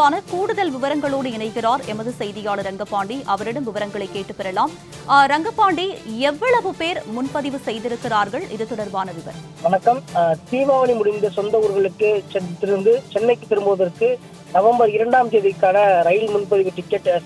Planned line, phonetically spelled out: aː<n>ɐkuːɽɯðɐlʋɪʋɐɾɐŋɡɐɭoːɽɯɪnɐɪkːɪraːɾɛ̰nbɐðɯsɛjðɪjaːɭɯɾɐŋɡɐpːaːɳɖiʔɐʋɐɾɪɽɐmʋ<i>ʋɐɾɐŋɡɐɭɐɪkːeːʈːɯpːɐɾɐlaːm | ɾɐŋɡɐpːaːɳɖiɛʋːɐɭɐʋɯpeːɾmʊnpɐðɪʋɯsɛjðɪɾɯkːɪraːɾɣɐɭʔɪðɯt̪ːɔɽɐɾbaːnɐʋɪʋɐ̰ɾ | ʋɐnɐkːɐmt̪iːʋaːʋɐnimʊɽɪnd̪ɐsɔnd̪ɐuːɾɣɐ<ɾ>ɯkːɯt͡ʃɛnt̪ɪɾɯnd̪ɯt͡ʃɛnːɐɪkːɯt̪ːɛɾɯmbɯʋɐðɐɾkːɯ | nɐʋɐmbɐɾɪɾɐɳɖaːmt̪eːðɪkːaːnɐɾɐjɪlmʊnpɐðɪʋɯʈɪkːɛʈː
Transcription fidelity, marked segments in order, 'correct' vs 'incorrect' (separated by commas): correct, incorrect, incorrect